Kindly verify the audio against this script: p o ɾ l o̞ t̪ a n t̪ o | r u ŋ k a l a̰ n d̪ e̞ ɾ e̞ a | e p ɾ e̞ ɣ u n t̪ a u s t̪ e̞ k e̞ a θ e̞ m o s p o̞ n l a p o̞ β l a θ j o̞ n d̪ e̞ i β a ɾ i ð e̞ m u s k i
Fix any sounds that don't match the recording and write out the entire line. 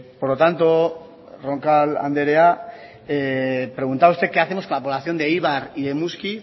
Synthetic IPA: p o ɾ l o̞ t̪ a n t̪ o | r o ŋ k a l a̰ n d̪ e̞ ɾ e̞ a | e p ɾ e̞ ɣ u n t̪ a u s t̪ e̞ k e̞ a θ e̞ m o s k o̞ n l a p o̞ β l a θ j o̞ n d̪ e̞ i β a ɾ i ð e̞ m u s k i